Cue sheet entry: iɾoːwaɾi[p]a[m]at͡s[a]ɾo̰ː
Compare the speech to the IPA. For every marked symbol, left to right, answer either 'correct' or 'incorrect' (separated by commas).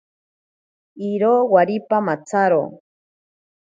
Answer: correct, correct, correct